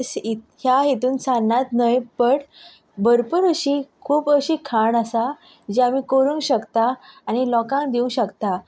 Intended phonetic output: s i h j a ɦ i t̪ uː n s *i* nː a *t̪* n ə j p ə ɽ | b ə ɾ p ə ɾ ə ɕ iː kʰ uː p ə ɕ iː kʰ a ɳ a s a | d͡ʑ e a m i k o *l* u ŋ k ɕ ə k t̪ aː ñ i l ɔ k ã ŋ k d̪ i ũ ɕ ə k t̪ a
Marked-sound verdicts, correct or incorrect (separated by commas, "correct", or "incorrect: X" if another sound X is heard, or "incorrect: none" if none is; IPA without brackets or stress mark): incorrect: a, correct, incorrect: ɾ